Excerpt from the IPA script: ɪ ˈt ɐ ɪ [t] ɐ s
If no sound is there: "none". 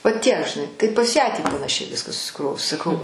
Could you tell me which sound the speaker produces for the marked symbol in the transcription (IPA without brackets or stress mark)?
p